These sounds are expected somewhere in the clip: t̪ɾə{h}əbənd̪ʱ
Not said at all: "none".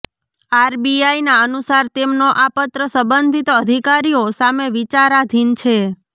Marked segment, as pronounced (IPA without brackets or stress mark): s